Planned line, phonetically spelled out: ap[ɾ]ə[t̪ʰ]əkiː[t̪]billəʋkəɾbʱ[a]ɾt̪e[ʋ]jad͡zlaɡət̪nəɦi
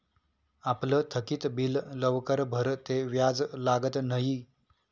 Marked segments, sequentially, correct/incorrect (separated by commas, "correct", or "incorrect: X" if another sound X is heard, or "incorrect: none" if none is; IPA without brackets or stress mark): incorrect: l, correct, correct, incorrect: ə, correct